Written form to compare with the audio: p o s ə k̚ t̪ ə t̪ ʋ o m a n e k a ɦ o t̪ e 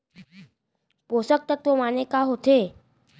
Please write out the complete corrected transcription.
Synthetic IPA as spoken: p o s ə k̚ t̪ ə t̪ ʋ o m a n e k a ɦ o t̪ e